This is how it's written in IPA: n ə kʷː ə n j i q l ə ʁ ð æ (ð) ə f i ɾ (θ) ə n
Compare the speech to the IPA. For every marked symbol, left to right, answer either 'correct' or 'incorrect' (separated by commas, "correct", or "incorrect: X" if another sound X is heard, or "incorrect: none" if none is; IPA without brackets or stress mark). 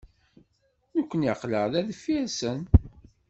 correct, incorrect: s